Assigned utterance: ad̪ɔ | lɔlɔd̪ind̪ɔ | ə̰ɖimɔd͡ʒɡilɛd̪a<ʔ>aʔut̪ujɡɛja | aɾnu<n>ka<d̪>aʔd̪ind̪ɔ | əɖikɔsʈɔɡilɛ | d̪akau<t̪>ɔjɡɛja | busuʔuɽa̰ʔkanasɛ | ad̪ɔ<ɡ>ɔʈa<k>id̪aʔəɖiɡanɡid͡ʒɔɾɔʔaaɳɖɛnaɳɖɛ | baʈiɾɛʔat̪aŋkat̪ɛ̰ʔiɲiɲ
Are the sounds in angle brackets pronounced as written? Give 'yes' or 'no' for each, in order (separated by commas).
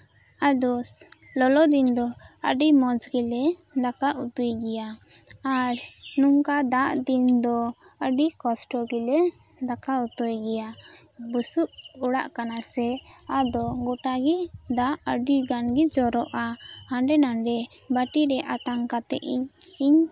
no, no, yes, yes, yes, no